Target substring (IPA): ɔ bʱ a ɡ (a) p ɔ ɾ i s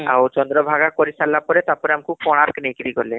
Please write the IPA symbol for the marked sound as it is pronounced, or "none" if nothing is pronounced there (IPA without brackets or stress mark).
a